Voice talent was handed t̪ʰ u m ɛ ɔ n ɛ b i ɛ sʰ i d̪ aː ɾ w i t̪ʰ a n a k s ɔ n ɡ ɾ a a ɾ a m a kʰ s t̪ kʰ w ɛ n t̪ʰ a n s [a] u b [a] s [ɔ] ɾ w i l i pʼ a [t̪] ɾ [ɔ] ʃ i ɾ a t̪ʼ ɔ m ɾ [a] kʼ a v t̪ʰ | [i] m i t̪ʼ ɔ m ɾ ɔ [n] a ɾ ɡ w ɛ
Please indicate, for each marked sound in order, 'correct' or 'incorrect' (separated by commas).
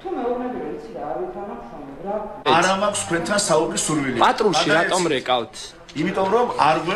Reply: correct, incorrect, incorrect, incorrect, incorrect, incorrect, correct, incorrect